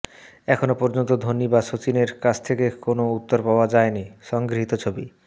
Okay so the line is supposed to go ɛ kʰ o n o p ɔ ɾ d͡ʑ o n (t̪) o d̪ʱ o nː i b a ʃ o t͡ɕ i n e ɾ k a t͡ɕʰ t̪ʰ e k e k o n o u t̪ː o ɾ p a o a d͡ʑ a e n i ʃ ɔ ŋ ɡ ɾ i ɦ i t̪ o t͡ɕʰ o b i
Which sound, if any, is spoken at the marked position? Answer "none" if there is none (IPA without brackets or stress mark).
t̪